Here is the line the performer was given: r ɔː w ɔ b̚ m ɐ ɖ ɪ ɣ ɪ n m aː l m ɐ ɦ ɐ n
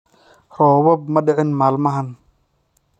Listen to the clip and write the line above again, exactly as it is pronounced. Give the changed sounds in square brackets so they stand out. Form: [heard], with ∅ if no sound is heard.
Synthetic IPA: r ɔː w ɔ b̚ m ɐ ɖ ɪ [ʕ] ɪ n m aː l m ɐ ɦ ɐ n